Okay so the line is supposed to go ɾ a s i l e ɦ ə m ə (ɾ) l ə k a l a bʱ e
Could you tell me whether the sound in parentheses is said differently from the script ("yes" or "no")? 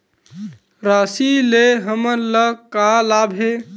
no